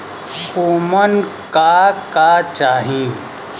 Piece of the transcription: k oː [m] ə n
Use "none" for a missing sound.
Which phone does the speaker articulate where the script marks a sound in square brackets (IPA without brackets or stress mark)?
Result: m